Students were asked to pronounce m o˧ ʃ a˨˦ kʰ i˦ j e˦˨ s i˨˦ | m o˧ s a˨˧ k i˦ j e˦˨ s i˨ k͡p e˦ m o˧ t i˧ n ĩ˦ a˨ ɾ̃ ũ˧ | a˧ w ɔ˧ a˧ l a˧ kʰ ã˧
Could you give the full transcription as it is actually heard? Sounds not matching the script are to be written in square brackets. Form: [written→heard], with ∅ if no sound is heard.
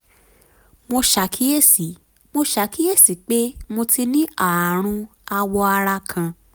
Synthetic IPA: m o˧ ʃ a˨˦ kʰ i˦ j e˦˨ s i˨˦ | m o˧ [s→ʃ] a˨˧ k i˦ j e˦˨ s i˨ k͡p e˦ m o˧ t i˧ n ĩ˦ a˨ ɾ̃ ũ˧ | a˧ w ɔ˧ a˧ [l→ɾ] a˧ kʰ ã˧